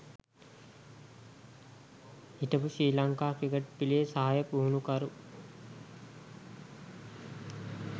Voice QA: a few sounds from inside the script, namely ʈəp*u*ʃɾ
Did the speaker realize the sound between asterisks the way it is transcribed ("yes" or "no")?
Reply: yes